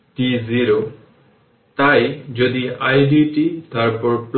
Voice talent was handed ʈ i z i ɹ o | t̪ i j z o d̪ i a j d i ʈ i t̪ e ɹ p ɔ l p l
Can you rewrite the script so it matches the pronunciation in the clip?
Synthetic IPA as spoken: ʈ i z i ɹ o | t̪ a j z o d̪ i a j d i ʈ i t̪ a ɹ p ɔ ɹ p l